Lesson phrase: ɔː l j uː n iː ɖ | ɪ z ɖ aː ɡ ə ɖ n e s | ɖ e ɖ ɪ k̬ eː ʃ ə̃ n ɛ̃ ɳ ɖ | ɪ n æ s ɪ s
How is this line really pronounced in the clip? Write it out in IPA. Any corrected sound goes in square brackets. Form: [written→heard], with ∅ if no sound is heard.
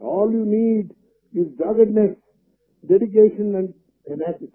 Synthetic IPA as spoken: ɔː l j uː n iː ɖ | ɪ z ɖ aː ɡ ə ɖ n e s | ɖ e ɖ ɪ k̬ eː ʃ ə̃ n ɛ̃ ɳ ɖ | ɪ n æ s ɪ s